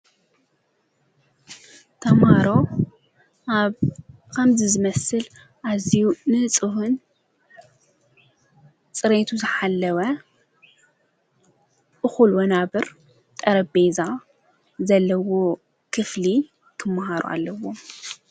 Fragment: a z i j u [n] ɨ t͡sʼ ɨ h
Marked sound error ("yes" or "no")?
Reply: no